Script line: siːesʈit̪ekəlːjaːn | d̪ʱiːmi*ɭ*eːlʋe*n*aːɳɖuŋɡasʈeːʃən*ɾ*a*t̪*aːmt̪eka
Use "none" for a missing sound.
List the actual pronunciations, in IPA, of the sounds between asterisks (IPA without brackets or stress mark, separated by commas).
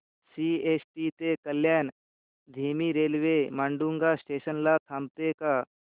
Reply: ɾ, m, l, t̪ʰ